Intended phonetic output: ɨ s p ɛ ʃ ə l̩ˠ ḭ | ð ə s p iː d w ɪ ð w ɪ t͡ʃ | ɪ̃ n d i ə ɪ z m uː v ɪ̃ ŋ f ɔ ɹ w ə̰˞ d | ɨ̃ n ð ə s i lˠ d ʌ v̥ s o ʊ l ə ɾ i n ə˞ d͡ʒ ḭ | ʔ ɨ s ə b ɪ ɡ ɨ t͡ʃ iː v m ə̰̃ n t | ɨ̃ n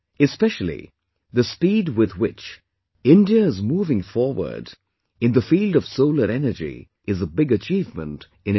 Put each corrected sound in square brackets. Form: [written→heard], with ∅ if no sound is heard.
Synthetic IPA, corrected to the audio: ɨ s p ɛ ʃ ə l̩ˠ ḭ | ð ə s p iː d w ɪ ð w ɪ t͡ʃ | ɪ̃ n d i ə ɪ z m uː v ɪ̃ ŋ f ɔ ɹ w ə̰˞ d | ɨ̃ n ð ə [s→f] i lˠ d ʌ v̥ s o ʊ l ə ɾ [i→ɛ] n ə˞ d͡ʒ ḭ | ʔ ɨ [s→z] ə b ɪ ɡ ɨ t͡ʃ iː v m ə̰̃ n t | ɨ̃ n